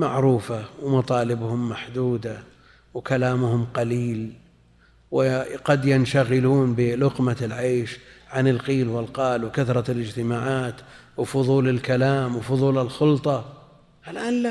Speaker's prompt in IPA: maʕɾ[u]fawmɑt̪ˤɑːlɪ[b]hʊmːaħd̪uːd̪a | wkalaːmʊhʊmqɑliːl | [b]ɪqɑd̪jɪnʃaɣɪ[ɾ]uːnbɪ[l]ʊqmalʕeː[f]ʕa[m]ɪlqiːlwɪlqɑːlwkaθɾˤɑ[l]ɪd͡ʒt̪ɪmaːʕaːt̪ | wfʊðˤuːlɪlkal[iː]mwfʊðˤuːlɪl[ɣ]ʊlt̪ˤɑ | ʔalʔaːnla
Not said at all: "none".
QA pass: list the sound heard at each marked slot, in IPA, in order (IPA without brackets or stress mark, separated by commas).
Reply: uː, b, w, l, l, ʃ, n, l, aː, x